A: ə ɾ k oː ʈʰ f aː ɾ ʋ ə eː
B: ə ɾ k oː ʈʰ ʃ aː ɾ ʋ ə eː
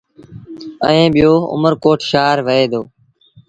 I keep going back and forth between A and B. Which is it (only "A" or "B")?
B